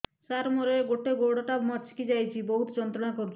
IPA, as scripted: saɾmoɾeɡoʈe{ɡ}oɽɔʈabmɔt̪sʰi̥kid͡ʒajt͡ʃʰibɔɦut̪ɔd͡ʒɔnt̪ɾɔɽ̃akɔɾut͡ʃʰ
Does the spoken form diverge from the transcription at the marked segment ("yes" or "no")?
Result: no